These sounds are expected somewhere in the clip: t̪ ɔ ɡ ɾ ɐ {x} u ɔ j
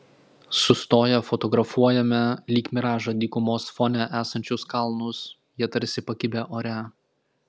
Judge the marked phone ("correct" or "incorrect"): incorrect